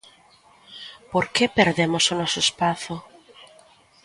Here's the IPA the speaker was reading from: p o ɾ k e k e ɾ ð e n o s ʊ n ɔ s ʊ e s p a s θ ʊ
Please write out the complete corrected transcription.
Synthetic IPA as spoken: p o ɾ k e p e ɾ ð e m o s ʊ n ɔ s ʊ e s p a θ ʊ

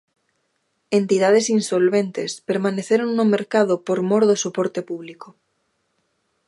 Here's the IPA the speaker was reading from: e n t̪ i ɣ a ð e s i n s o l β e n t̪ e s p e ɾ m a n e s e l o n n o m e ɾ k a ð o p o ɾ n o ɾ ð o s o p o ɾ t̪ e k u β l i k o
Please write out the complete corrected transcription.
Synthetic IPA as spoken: e n t̪ i ð a ð e s i n s o l β e n t̪ e s p e ɾ m a n e θ e ɾ o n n o m e ɾ k a ð o p o ɾ m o ɾ ð o s o p o ɾ t̪ e p u β l i k o

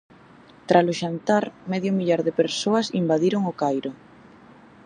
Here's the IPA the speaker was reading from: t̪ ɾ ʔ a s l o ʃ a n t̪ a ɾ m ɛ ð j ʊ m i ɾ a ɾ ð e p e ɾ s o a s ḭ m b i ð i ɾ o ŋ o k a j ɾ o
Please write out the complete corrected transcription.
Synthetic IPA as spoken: t̪ ɾ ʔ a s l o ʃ a n t̪ a ɾ m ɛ ð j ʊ m i ʎ a ɾ ð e p e ɾ s o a s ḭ m b a ð i ɾ o ŋ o k a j ɾ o

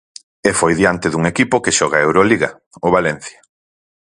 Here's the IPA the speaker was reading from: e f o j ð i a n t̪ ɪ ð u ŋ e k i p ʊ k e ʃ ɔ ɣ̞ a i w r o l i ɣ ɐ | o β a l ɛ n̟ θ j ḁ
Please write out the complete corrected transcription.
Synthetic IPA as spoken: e f o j ð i a n t̪ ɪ ð u ŋ e k i p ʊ k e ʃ ɔ ɣ̞ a e w ɾ o l i ɣ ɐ | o β a l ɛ n̟ θ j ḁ

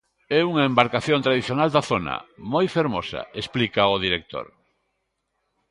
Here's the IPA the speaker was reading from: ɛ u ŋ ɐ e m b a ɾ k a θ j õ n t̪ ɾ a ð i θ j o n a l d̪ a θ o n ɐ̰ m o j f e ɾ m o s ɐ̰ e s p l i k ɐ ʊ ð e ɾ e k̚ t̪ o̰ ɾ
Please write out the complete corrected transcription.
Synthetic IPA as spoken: ɛ u ŋ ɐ e m b a ɾ k a θ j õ n t̪ ɾ a ð i θ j o n a l d̪ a θ o n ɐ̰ m o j f e ɾ m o s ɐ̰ e s p l i k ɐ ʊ ð i ɾ e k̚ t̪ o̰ ɾ

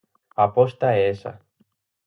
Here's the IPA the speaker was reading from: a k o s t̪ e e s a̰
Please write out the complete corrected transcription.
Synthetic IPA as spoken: a p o s t̪ a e s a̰

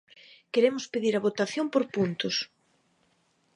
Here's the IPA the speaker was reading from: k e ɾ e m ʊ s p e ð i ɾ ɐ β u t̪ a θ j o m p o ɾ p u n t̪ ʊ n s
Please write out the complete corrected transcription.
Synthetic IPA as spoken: k e ɾ e m ʊ s p e ð i ɾ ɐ β o t̪ a θ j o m p o ɾ p u n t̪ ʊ s

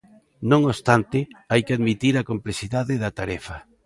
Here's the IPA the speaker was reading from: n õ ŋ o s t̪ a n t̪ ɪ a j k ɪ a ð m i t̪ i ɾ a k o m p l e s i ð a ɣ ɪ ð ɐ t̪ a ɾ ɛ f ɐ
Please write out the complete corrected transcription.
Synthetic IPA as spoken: n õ ŋ o s t̪ a n t̪ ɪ a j k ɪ a ð m i t̪ i ɾ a k o m p l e s i ð a ð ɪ ð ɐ t̪ a ɾ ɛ f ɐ

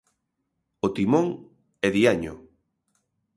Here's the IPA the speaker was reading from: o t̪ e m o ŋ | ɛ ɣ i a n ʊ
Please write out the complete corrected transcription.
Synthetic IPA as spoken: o t̪ i m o ŋ | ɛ ð i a ɲ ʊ

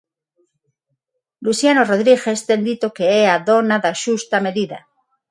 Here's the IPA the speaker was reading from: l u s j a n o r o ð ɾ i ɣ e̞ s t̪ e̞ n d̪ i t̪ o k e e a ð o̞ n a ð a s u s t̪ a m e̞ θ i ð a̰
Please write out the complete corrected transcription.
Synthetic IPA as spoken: l u s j a n o r o ð ɾ i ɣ e̞ s t̪ e̞ n d̪ i t̪ o k e e a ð o̞ n a ð a ʃ u s t̪ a m e̞ ð i ð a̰

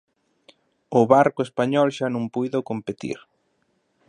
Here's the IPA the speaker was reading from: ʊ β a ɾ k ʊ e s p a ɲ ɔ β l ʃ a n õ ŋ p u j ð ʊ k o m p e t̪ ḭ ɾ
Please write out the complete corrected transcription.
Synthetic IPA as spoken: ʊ β a ɾ k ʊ e s p a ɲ ɔ l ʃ a n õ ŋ p u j ð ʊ k o m p e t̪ ḭ ɾ

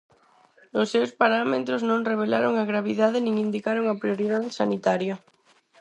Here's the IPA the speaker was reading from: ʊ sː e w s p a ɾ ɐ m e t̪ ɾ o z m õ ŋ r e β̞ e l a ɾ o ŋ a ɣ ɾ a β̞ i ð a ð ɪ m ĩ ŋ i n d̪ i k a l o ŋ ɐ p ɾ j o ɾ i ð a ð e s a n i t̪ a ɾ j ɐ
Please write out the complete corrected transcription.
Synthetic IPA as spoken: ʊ sː e w s p a ɾ a m e t̪ ɾ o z n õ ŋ r e β̞ e l a ɾ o ŋ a ɣ ɾ a β̞ i ð a ð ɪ n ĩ ŋ i n d̪ i k a ɾ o ŋ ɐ p ɾ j o ɾ i ð a ð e s a n i t̪ a ɾ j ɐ

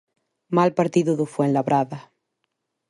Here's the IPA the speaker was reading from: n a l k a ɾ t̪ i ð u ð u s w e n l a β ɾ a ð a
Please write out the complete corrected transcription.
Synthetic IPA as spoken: m a l p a ɾ t̪ i ð u ð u f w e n l a β ɾ a ð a

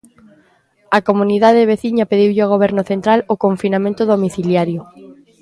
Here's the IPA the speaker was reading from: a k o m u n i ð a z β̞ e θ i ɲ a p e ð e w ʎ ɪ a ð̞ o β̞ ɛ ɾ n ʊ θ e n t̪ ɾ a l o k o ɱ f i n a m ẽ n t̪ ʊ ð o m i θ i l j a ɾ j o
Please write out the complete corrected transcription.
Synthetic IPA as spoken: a k o m u n i ð a ð β̞ e θ i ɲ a p e ð i w ʎ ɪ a ɣ̞ o β̞ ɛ ɾ n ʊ θ e n t̪ ɾ a l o k o ɱ f i n a m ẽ n t̪ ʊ ð o m i θ i l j a ɾ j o

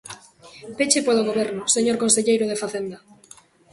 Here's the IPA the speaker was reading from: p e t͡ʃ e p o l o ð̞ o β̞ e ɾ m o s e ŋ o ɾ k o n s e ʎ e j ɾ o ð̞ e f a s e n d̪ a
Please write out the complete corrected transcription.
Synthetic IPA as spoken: p e t͡ʃ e p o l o ɣ̞ o β̞ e ɾ n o s e ɲ o ɾ k o n s e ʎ e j ɾ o ð̞ e f a θ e n d̪ a

